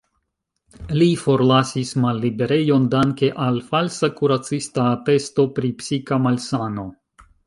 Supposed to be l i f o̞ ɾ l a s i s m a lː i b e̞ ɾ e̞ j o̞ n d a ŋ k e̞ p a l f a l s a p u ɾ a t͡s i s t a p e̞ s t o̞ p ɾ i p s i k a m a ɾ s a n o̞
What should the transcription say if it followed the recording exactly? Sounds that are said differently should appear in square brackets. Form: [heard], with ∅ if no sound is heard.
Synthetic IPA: l i f o̞ ɾ l a s i s m a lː i b e̞ ɾ e̞ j o̞ n d a ŋ k e̞ [ʔ] a l f a l s a [k] u ɾ a t͡s i s t a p e̞ s t o̞ p ɾ i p s i k a m a [l] s a n o̞